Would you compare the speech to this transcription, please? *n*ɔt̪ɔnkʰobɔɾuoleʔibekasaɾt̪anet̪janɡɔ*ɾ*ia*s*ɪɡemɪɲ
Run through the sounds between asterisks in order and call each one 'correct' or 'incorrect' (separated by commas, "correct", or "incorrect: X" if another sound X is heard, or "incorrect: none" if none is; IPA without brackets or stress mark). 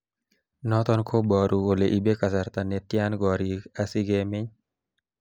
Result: correct, correct, correct